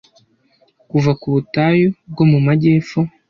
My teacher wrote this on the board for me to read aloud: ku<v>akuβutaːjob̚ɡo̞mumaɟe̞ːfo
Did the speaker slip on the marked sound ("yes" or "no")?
no